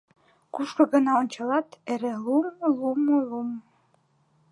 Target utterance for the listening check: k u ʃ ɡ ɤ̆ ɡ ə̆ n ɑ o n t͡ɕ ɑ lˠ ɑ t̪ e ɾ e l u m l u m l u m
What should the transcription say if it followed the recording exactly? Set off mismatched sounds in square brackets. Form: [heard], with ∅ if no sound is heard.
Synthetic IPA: k u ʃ [k] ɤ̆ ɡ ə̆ n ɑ o n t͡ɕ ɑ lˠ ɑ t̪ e ɾ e l u m l u m l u m